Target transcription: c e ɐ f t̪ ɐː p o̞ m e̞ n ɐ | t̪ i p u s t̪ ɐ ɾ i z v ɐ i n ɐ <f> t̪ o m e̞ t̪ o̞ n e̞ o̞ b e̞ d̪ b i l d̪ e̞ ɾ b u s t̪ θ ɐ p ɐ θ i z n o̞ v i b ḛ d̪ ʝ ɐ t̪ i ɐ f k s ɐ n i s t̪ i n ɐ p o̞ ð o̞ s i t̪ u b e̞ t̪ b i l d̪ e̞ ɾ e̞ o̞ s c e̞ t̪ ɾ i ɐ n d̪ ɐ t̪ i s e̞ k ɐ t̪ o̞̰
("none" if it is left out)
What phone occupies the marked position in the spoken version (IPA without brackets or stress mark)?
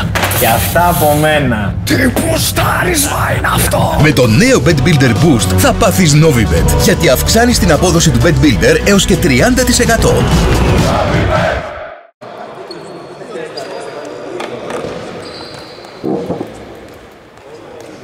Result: f